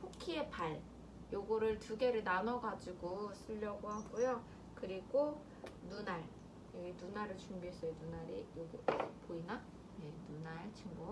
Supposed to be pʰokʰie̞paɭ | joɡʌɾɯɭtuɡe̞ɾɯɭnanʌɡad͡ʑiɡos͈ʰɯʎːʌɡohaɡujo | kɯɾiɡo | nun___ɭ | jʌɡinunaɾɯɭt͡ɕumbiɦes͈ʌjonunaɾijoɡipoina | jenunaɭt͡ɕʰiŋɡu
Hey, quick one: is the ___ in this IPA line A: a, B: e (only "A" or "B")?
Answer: A